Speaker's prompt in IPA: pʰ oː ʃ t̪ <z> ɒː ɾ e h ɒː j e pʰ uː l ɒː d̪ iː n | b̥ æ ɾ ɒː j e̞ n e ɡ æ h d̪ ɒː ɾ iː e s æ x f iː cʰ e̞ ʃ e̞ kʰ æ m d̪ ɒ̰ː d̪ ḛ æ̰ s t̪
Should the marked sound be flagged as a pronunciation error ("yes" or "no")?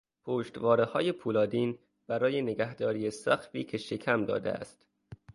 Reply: yes